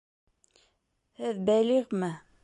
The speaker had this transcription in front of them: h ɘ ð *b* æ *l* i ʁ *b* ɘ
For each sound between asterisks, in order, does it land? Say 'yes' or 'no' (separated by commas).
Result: yes, yes, no